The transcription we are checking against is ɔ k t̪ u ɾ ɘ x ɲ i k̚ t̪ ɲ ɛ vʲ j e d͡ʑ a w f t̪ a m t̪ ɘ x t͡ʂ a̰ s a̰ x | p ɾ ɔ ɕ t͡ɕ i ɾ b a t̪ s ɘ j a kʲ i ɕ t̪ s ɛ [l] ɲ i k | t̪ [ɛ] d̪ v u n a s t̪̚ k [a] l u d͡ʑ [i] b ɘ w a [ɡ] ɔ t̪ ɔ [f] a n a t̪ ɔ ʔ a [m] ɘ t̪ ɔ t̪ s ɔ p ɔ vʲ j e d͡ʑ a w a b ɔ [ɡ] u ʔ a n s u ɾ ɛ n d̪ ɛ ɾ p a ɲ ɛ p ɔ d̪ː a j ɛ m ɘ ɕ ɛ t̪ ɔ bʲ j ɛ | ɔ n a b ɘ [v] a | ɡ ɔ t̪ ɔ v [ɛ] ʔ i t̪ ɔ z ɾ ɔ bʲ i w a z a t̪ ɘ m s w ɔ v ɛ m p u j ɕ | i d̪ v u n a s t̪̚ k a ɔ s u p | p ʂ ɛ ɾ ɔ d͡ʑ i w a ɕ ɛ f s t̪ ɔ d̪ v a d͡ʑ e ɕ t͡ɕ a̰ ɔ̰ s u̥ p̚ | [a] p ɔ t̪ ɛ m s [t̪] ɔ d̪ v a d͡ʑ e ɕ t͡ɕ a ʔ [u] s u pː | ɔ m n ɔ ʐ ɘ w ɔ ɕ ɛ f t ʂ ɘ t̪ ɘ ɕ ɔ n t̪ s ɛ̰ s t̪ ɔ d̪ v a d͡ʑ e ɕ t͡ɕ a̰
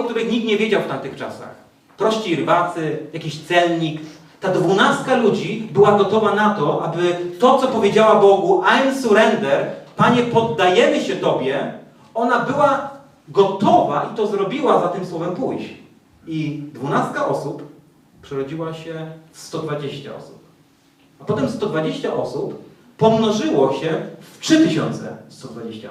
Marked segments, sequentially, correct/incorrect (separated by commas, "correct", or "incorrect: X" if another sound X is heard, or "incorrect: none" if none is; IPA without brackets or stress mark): correct, incorrect: a, correct, correct, correct, incorrect: v, incorrect: b, correct, incorrect: w, incorrect: a, correct, correct, incorrect: ɔ